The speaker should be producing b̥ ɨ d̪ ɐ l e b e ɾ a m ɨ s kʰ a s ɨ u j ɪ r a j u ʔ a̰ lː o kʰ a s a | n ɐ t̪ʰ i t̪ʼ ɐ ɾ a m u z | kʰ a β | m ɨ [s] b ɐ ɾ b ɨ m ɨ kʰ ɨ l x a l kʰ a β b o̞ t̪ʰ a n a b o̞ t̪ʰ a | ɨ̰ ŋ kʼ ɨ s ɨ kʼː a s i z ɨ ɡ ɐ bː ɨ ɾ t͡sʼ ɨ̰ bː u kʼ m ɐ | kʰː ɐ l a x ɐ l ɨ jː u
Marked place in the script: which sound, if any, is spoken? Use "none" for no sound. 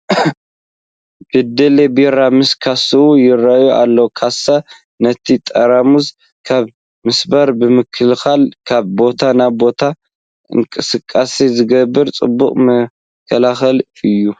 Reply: s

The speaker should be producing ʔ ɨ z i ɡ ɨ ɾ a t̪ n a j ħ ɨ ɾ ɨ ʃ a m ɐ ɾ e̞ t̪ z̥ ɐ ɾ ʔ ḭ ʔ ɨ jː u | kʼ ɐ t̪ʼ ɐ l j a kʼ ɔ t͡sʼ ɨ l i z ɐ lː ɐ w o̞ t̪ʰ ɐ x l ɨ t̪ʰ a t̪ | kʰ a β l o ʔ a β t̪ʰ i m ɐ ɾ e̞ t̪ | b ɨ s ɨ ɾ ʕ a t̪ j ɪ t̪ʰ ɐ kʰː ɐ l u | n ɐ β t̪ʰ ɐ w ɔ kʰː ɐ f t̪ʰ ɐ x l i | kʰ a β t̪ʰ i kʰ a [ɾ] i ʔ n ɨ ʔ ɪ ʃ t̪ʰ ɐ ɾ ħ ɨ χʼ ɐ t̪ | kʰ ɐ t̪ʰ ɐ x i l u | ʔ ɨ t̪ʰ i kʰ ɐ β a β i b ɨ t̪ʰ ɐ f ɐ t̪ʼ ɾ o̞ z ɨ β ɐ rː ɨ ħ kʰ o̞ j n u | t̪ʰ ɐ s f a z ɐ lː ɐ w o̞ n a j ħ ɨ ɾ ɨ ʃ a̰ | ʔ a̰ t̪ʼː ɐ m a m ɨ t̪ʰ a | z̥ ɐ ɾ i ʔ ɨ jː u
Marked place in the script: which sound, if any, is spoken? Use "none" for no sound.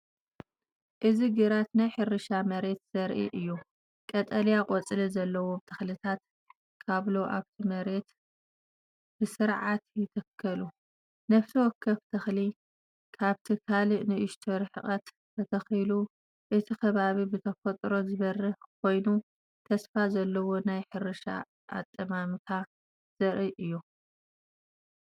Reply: l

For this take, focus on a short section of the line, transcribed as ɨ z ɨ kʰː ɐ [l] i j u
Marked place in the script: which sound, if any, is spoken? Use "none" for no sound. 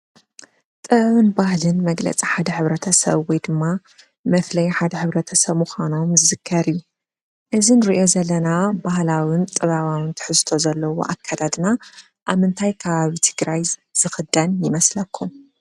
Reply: ɾ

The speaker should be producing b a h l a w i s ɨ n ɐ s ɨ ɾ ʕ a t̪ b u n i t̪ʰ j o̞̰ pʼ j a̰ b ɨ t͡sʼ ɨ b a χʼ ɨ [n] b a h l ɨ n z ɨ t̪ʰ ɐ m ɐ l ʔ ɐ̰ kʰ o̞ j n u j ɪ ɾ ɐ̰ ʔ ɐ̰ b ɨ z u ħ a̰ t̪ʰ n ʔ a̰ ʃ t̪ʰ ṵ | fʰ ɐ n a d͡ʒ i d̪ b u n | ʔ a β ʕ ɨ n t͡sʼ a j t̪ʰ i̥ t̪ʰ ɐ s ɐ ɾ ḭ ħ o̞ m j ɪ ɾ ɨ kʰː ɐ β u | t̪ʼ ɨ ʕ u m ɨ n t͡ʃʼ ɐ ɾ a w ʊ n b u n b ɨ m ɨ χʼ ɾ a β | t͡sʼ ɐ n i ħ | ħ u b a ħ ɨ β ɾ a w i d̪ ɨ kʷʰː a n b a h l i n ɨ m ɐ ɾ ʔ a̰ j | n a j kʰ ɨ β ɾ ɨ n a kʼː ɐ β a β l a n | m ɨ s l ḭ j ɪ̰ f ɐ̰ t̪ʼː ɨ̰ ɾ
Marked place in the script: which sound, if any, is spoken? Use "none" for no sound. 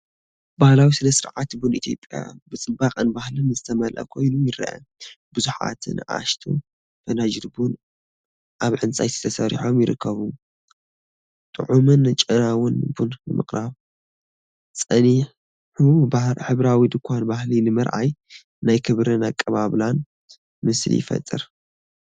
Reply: n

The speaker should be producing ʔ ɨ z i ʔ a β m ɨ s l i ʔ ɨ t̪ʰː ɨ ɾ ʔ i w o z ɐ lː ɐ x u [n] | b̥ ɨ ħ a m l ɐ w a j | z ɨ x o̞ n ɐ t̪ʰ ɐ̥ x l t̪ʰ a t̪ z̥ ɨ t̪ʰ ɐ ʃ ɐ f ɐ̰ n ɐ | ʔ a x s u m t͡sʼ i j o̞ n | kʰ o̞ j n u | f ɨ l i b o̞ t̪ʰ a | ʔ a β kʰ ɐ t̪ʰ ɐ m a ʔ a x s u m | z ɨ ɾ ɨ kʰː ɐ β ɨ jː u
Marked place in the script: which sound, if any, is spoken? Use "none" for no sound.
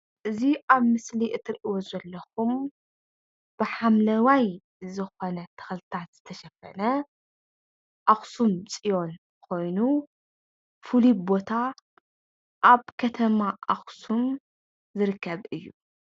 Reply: m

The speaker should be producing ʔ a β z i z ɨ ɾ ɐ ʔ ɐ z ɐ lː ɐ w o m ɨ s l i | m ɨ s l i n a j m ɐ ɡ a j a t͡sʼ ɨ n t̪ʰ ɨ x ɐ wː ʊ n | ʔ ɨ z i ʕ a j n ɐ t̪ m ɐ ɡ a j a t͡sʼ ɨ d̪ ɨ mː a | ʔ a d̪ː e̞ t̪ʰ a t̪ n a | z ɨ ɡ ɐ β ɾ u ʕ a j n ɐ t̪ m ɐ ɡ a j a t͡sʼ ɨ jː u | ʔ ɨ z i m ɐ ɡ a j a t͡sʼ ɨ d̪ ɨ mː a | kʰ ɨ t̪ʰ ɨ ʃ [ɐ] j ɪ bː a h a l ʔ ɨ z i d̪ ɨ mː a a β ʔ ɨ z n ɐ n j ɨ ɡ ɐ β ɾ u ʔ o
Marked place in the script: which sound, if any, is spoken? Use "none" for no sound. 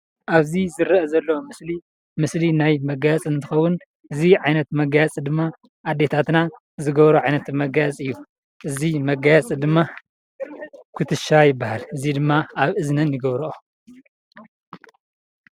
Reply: a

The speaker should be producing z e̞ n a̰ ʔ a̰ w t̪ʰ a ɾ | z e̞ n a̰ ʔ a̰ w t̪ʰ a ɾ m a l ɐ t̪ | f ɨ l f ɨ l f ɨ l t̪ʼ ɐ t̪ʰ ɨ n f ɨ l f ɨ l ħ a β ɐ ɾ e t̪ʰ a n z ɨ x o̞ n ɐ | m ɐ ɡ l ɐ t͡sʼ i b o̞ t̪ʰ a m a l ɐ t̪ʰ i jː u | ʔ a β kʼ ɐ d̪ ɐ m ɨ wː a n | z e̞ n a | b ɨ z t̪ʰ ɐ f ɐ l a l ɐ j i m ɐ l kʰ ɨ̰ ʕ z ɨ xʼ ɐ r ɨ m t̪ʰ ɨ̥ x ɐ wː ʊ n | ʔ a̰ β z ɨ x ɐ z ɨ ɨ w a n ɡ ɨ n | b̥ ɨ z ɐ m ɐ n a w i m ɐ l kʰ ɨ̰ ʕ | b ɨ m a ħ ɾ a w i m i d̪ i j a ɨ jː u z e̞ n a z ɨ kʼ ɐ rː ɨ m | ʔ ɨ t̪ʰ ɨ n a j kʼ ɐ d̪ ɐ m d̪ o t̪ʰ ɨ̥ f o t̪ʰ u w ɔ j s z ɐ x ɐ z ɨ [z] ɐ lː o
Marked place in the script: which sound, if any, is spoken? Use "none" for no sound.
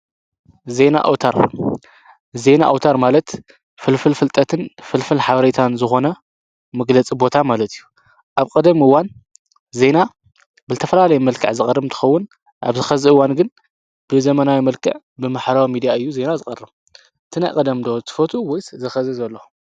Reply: z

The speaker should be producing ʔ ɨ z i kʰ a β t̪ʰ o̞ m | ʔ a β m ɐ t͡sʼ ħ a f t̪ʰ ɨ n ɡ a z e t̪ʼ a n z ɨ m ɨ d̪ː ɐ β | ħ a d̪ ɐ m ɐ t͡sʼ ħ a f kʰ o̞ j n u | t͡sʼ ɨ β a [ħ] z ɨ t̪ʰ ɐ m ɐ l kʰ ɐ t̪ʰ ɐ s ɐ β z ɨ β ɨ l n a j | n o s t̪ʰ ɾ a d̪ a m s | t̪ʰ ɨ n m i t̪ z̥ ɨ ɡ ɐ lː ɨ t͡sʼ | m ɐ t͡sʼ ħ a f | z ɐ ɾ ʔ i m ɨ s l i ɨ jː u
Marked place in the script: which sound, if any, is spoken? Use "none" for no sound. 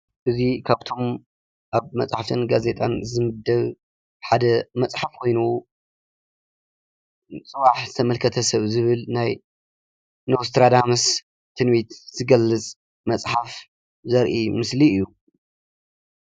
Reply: ħ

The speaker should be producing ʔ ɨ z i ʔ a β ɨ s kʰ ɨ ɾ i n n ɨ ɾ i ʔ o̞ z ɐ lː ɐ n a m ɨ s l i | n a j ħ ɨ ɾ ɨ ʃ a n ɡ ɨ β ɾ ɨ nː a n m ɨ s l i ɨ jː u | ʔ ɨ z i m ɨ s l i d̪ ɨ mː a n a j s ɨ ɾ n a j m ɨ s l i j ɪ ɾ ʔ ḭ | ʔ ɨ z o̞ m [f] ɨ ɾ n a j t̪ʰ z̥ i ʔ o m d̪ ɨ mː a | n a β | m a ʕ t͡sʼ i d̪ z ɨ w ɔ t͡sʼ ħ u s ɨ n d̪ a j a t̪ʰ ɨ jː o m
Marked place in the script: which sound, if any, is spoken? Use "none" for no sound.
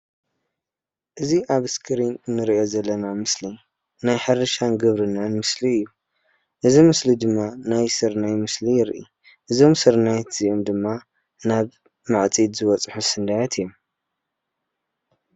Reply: s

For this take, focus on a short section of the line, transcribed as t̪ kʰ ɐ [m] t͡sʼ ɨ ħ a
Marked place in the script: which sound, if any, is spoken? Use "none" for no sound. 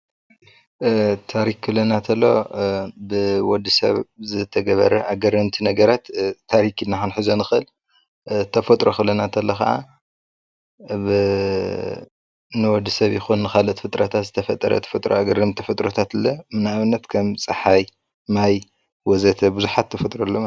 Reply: m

